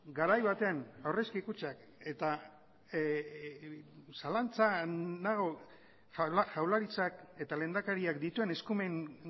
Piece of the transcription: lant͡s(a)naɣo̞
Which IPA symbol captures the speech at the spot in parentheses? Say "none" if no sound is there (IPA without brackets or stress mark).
a